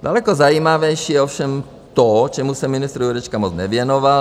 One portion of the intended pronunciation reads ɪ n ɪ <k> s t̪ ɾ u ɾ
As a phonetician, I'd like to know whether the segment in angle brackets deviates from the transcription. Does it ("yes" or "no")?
yes